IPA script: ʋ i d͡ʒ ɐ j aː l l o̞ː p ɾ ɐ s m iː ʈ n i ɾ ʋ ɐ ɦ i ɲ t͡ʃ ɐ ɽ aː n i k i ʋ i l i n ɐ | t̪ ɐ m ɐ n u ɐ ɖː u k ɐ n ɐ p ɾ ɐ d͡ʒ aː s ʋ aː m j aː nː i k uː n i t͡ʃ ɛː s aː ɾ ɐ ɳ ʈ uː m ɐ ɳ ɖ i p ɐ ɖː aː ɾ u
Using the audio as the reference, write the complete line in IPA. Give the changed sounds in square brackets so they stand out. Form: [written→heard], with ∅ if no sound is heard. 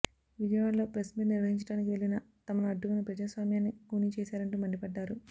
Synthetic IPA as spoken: ʋ i d͡ʒ ɐ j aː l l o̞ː p ɾ ɐ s m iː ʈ n i ɾ ʋ ɐ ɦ i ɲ t͡ʃ ɐ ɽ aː n i k i ʋ [i→e] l i n ɐ | t̪ ɐ m ɐ n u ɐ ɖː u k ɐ n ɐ p ɾ ɐ d͡ʒ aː s ʋ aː m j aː nː i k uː n i t͡ʃ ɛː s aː ɾ ɐ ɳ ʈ uː m ɐ ɳ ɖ i p ɐ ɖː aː ɾ u